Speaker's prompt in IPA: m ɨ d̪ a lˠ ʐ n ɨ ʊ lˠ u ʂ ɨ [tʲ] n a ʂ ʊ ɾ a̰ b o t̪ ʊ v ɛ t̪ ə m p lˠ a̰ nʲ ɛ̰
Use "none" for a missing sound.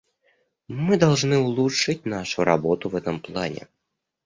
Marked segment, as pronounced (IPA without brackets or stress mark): tʲ